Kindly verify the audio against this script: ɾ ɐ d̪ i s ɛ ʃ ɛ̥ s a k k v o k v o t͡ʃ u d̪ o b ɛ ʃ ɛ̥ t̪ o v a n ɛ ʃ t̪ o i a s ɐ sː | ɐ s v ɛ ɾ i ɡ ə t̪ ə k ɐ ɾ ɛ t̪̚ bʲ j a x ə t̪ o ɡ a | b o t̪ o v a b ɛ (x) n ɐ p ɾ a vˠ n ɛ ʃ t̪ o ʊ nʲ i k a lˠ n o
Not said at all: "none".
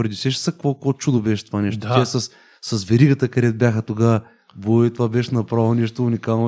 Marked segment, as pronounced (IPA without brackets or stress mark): ʃ